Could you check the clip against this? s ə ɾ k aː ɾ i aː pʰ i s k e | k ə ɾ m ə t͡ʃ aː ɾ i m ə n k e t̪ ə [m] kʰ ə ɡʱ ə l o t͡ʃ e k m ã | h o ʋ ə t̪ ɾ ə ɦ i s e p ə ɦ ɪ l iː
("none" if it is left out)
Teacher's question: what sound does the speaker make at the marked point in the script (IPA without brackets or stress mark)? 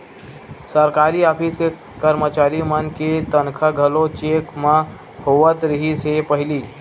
n